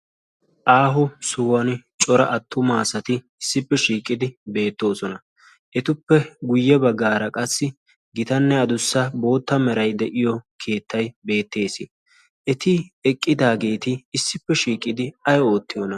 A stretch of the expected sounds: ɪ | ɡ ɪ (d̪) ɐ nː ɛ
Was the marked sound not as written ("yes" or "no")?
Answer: yes